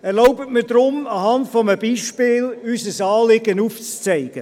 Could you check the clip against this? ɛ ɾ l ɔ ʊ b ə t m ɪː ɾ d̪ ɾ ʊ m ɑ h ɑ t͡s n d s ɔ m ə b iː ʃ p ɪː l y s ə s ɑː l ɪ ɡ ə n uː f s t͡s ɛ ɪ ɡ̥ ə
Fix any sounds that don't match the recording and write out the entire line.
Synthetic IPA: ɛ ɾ l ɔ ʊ b ə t m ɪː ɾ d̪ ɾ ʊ m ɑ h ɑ n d f ɔ m ə b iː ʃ p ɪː l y s ə s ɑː l ɪ ɡ ə n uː f t͡s t͡s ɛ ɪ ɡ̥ ə